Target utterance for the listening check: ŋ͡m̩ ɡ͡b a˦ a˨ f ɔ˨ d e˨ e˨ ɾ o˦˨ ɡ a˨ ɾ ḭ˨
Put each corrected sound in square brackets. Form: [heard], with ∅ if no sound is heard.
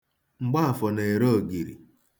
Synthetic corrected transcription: ŋ͡m̩ ɡ͡b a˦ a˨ f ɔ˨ [n] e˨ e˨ ɾ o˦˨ ɡ [i˨] ɾ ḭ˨